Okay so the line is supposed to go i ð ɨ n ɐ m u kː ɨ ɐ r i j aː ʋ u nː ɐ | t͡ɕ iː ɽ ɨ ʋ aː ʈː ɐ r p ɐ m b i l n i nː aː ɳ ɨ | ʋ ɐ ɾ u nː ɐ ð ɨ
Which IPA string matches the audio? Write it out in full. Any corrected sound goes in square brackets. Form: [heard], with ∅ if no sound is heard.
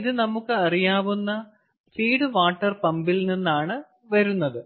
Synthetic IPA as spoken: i ð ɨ n ɐ m u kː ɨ ɐ r i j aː ʋ u nː ɐ | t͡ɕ iː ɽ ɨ ʋ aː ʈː ɐ r p ɐ m b i l n i nː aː ɳ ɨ | ʋ ɐ ɾ u nː ɐ ð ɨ

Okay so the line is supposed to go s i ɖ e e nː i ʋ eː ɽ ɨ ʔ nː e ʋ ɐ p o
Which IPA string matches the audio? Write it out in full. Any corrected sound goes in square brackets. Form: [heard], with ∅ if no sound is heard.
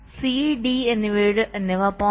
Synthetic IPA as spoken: s i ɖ [i] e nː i ʋ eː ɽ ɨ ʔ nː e ʋ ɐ p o

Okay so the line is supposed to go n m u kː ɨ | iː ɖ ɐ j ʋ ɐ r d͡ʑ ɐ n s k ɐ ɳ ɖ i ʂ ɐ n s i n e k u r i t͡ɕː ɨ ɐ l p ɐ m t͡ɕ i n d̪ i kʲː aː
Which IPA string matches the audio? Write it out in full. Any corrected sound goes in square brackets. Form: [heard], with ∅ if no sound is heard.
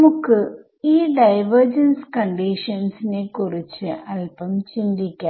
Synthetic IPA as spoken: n m u kː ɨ | iː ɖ ɐ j ʋ ɐ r d͡ʑ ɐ n s k ɐ ɳ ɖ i ʂ ɐ n s i n e k u r i t͡ɕː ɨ ɐ l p ɐ m t͡ɕ i n d̪ i kʲː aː

